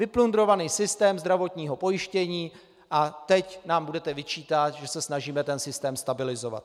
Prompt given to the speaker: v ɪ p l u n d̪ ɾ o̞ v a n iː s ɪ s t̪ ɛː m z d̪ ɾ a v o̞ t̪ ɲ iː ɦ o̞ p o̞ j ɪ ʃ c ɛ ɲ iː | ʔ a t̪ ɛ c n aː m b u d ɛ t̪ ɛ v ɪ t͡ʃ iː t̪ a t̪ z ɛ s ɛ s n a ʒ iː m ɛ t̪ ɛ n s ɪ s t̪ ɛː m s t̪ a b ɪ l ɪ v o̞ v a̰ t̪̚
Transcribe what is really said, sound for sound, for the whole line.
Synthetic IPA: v ɪ p l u n d̪ ɾ o̞ v a n iː s ɪ s t̪ ɛː m z d̪ ɾ a v o̞ t̪ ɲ iː ɦ o̞ p o̞ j ɪ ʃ c ɛ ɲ iː | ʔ a t̪ ɛ c n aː m b u d ɛ t̪ ɛ v ɪ t͡ʃ iː t̪ a t̪ ʒ ɛ s ɛ s n a ʒ iː m ɛ t̪ ɛ n s ɪ s t̪ ɛː m s t̪ a b ɪ l ɪ z o̞ v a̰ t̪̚